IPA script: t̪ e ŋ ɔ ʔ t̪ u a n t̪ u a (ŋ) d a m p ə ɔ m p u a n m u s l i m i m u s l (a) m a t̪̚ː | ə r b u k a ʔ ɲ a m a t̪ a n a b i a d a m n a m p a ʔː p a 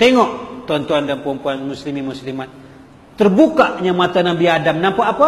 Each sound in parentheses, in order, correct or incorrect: incorrect, incorrect

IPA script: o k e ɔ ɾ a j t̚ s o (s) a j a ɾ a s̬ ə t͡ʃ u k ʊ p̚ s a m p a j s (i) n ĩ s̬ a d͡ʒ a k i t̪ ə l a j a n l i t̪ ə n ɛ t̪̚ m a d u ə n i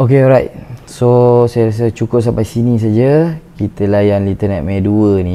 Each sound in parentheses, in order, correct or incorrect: correct, correct

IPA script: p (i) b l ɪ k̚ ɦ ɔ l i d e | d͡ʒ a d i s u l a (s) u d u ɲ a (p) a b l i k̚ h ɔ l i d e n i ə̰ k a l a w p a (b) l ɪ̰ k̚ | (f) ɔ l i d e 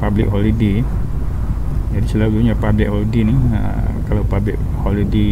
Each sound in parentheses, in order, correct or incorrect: incorrect, incorrect, correct, correct, incorrect

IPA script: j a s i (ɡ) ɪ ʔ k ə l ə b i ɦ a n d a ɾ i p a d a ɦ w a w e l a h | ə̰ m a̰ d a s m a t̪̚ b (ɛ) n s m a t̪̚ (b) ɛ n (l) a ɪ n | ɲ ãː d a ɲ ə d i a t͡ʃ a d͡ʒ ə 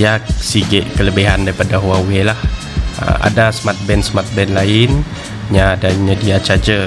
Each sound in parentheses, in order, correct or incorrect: correct, correct, correct, correct

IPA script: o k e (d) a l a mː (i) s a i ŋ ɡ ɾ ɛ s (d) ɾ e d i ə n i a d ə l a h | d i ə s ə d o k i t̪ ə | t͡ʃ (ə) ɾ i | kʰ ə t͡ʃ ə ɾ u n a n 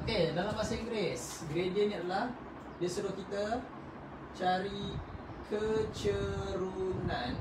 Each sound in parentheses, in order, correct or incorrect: correct, incorrect, incorrect, incorrect

